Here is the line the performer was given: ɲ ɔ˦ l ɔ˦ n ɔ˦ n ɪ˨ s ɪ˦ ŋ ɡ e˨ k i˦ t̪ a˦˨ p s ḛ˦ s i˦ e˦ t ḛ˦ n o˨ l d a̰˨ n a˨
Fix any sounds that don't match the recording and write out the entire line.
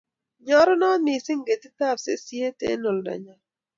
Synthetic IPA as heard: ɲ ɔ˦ ɾ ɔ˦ n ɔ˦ n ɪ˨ s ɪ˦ ŋ ɡ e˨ t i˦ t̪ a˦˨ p s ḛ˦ s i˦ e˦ t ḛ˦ n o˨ l d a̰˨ ɲ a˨